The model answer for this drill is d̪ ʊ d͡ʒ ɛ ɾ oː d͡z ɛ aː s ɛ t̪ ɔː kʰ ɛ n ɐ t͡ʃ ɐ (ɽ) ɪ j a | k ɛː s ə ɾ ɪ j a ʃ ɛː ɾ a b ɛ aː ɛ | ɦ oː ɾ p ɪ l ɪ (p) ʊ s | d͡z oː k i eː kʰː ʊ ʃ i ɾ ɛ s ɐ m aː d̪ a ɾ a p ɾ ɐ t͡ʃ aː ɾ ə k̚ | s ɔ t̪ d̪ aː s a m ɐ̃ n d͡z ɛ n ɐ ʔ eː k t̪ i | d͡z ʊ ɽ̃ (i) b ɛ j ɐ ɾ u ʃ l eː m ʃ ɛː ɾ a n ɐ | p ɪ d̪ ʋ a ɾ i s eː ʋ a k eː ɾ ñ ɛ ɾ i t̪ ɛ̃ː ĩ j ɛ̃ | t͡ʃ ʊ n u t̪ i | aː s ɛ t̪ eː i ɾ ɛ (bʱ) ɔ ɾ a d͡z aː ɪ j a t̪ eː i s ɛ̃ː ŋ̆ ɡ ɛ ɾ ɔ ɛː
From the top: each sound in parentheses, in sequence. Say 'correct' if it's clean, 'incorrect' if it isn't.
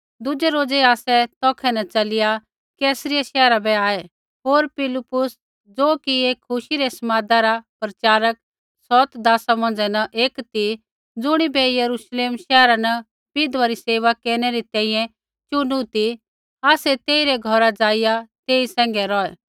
incorrect, correct, correct, incorrect

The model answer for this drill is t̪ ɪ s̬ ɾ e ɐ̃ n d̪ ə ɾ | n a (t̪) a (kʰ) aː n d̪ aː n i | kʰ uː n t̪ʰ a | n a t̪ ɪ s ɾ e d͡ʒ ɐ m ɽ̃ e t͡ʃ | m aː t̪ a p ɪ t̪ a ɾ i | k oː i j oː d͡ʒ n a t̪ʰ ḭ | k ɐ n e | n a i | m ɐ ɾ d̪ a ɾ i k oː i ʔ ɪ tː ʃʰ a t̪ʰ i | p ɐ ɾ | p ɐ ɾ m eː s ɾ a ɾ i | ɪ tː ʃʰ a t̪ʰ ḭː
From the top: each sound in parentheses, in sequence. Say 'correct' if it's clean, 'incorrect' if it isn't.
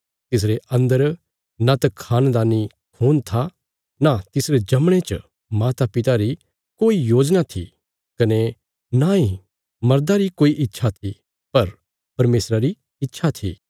correct, correct

